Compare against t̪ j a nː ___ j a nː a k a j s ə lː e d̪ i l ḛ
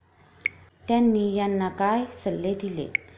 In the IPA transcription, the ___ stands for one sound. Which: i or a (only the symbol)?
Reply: i